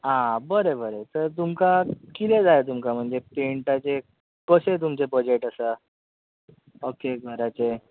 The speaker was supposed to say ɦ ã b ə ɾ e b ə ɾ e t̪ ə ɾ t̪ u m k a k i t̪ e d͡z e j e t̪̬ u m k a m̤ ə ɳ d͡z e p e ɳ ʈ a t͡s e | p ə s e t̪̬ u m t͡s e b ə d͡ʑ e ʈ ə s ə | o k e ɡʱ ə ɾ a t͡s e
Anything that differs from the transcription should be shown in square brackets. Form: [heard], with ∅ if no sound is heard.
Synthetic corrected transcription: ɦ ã b ə ɾ e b ə ɾ e t̪ ə ɾ t̪ u m k a k i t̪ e d͡z [a] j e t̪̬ u m k a m̤ ə ɳ d͡z e p e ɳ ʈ a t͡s e | [k] ə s e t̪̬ u m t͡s e b ə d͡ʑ e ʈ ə s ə | o k e ɡʱ ə ɾ a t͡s e